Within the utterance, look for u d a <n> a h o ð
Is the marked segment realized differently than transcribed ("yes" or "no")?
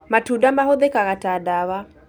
yes